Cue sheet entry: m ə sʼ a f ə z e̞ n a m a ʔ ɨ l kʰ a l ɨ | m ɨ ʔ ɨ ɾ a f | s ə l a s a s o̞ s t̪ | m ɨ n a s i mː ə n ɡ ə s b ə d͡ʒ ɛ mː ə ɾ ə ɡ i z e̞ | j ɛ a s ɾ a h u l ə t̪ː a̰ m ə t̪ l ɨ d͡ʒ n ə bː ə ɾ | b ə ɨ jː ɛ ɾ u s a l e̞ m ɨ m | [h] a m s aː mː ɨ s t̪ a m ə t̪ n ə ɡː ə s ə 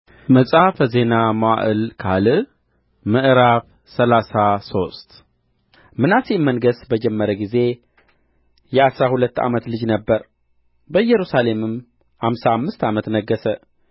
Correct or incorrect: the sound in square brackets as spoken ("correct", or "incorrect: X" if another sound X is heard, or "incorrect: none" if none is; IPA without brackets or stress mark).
correct